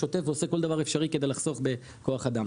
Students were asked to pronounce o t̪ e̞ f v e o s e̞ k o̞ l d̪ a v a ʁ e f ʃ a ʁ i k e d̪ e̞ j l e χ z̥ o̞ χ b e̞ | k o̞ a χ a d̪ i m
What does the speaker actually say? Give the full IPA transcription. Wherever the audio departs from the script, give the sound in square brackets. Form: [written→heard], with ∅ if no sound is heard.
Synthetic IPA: o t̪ e̞ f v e o s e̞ k o̞ l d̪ a v a ʁ e f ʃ a ʁ i k e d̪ e̞ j l [e→a] χ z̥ o̞ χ b e̞ | k o̞ a χ a d̪ [i→a] m